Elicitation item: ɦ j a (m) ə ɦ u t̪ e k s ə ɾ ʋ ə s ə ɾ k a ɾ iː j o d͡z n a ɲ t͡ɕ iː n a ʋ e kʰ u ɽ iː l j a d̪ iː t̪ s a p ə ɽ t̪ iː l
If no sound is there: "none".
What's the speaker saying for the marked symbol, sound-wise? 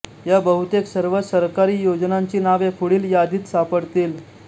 b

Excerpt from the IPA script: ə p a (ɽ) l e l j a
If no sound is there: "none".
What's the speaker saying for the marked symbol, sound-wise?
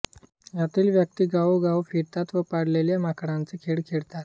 ɽ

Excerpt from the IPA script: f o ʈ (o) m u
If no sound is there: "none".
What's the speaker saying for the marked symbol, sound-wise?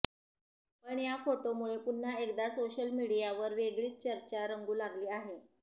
o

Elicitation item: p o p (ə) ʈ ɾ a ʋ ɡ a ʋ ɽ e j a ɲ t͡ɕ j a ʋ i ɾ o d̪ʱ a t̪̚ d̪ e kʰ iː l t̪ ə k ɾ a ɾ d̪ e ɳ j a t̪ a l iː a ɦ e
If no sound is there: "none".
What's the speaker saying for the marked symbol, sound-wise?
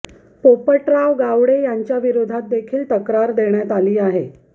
ə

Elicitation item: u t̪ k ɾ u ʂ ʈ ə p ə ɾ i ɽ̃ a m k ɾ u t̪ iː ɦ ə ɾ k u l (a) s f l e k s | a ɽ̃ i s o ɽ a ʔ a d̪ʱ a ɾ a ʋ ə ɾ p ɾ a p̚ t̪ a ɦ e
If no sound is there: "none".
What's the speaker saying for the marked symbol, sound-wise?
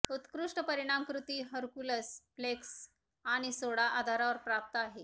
ə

